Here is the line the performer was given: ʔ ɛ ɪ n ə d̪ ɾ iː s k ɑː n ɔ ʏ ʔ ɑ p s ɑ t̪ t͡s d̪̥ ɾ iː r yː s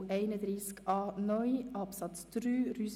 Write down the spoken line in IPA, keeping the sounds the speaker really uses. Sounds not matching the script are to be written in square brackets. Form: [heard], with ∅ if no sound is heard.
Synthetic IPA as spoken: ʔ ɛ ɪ n ə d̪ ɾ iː s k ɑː n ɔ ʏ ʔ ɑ p s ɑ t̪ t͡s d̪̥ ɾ [yː] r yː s

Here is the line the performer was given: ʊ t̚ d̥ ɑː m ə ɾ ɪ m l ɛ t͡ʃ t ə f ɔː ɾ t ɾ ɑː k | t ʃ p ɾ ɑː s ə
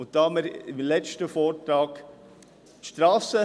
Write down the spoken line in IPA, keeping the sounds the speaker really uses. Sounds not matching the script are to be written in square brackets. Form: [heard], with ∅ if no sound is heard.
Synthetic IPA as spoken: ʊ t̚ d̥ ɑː m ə ɾ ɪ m l ɛ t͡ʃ t ə f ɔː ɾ t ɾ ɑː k | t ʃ [t] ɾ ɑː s ə

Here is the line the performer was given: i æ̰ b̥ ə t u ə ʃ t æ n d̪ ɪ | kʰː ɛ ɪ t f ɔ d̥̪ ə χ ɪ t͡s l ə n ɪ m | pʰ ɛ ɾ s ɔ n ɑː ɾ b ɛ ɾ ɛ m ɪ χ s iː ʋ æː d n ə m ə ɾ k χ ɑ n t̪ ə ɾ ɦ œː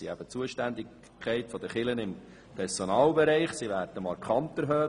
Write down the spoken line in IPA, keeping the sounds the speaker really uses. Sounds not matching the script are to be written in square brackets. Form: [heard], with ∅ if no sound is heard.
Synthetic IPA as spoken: i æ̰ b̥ ə [t͡s] u ə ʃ t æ n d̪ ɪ | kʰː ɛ ɪ t f ɔ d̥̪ ə χ ɪ [∅] l ə n ɪ m | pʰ ɛ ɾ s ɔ n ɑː [l] b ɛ ɾ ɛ [∅] ɪ χ s [i] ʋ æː d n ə m [ɑ] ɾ k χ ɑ n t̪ ə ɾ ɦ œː

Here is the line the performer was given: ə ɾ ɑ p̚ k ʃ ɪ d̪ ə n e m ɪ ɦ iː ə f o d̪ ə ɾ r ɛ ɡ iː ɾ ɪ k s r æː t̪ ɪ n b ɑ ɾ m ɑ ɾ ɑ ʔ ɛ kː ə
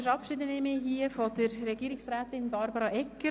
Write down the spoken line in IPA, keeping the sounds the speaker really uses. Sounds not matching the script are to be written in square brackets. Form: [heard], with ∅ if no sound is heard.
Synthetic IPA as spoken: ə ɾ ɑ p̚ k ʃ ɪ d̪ ə n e m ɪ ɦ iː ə f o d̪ ə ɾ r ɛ ɡ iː ɾ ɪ k s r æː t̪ ɪ n b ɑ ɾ [b] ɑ ɾ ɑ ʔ ɛ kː ə

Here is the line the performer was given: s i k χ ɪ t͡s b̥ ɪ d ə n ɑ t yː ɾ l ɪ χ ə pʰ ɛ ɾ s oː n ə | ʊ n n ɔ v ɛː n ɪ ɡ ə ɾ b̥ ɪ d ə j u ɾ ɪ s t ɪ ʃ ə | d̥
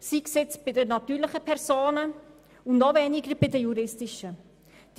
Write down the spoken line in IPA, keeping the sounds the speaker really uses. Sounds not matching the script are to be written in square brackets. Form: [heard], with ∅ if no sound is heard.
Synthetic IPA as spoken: s i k [s] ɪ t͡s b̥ ɪ d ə n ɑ t yː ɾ l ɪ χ ə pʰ ɛ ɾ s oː n ə | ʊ n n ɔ v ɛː n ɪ ɡ ə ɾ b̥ ɪ d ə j u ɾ ɪ s t ɪ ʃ ə | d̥

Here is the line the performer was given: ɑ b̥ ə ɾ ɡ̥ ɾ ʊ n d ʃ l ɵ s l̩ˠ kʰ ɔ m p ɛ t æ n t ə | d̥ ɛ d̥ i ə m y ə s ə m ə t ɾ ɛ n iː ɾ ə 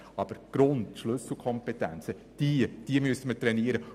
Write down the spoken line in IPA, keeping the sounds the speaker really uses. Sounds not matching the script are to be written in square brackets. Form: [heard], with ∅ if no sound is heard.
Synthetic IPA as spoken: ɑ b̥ ə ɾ ɡ̥ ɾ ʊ n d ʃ l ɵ s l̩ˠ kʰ ɔ m p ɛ t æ n [t͡s] ə | d̥ [i] d̥ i ə m y ə s ə m ə t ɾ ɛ n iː ɾ ə

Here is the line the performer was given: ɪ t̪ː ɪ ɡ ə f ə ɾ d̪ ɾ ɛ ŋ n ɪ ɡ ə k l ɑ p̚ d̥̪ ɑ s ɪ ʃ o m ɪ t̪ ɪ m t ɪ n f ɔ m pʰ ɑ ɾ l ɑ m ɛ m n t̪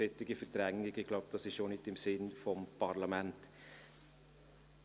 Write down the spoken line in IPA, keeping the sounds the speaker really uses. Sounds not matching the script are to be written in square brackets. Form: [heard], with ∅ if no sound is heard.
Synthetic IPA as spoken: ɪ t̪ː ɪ ɡ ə f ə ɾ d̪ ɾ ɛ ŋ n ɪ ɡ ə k l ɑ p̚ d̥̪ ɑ s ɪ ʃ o [n] ɪ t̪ ɪ m [s] ɪ n f ɔ m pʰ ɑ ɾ l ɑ m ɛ [∅] n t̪

